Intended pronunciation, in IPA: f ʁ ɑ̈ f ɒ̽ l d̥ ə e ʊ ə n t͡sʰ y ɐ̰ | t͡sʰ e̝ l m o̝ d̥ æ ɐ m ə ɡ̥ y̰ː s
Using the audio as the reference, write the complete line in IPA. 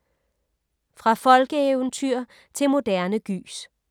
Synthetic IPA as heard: f ʁ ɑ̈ f ɒ̽ l ɡ̥ ə e ʊ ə n t͡sʰ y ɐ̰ | t͡sʰ e̝ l m o̝ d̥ æ ɐ n ə ɡ̥ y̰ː s